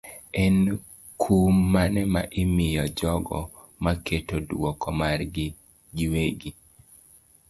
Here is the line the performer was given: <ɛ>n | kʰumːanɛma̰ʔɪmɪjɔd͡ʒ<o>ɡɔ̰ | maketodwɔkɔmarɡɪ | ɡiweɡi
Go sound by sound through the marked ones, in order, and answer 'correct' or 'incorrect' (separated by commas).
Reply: correct, incorrect